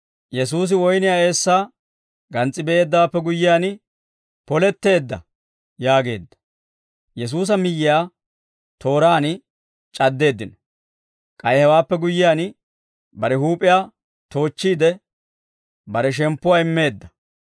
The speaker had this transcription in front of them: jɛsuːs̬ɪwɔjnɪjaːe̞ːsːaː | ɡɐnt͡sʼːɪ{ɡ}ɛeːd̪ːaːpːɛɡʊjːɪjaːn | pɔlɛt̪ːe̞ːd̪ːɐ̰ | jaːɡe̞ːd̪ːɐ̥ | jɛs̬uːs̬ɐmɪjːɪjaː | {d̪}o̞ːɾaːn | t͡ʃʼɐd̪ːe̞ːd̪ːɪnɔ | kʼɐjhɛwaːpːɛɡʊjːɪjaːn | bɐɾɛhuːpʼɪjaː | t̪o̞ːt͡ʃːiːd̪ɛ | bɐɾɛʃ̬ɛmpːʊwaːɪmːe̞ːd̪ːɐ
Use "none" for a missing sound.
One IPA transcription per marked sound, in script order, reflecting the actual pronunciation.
b, t̪

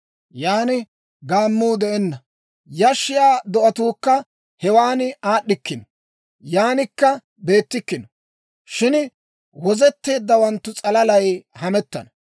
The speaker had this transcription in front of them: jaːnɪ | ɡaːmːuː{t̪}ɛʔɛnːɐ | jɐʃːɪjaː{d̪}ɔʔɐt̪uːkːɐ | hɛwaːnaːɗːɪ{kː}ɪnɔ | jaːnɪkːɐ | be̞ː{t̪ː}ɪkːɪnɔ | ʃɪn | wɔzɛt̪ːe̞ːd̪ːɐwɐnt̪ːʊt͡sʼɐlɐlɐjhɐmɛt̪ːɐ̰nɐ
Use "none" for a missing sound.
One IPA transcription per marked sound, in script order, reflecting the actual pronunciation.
d̪, d̪, kː, t̪ː

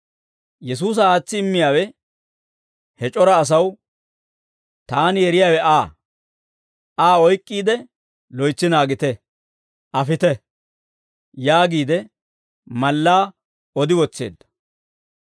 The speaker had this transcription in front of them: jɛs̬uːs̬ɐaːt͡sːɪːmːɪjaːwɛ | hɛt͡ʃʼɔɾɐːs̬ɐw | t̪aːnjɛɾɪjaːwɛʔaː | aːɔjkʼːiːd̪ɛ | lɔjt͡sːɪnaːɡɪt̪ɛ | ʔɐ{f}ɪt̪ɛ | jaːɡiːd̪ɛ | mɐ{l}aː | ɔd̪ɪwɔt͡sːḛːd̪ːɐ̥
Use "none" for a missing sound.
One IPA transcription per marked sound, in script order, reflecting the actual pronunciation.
f, lː

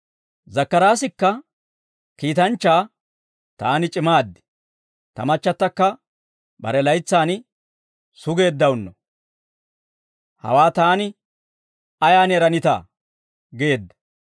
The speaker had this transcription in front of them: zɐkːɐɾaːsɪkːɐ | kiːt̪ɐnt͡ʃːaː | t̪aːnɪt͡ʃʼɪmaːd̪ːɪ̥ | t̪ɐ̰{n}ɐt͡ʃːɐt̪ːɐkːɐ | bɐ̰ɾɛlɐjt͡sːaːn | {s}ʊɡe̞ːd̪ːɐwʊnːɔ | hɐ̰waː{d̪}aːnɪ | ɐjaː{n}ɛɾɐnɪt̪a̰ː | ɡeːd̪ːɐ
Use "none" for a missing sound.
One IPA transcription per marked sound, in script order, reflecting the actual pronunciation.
m, s, t̪, n

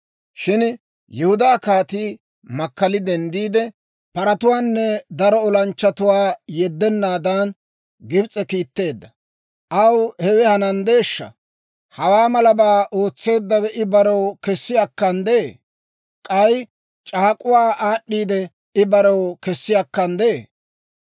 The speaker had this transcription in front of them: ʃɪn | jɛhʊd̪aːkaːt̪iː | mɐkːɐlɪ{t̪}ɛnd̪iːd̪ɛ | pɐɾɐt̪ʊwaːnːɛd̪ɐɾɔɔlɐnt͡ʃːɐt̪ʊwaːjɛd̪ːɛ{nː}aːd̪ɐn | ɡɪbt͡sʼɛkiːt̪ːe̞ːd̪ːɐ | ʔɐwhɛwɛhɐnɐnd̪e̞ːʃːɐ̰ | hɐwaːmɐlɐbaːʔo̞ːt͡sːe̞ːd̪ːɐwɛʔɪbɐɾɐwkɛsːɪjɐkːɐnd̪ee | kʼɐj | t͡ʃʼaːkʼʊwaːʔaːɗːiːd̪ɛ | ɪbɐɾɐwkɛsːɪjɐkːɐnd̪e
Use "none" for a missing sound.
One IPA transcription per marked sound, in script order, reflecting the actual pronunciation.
d̪, nː

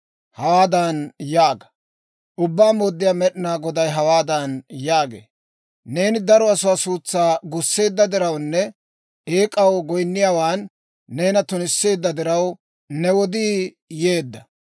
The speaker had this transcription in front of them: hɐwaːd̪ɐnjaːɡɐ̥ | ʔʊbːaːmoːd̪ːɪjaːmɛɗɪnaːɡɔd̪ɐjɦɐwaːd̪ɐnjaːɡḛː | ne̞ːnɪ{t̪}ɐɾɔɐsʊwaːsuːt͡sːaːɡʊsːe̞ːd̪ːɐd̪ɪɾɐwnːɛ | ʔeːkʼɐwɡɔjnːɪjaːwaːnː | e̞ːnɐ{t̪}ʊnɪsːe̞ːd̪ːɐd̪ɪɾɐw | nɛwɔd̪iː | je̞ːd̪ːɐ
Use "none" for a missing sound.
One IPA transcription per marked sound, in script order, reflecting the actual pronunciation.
d̪, t̪

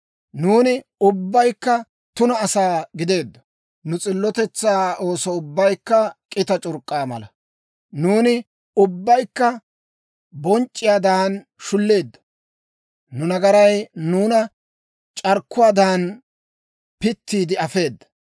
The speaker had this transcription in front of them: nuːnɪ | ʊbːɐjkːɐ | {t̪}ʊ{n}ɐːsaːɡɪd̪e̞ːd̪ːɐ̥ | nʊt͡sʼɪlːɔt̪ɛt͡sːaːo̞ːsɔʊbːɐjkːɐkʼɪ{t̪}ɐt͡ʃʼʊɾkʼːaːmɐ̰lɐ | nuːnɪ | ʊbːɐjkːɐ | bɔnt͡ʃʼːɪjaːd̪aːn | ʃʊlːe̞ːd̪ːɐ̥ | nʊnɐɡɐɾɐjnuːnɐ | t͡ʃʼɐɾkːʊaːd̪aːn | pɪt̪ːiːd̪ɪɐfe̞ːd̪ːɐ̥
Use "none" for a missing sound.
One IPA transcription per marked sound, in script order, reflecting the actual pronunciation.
t̪, n, t̪

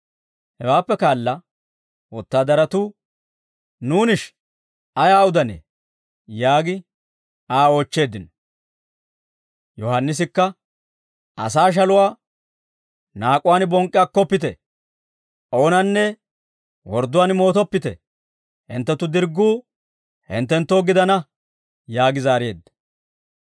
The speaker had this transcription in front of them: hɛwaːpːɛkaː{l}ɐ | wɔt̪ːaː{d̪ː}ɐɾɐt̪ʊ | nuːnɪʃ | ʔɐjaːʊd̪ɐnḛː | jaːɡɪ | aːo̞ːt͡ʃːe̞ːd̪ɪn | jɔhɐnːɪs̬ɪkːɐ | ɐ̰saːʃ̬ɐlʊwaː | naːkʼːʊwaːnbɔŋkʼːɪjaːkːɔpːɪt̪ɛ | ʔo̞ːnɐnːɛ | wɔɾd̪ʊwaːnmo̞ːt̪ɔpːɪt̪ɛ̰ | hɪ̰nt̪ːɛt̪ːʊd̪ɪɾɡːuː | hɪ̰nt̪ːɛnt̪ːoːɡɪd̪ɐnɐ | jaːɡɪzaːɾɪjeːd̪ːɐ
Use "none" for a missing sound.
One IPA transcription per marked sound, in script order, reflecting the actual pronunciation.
lː, d̪

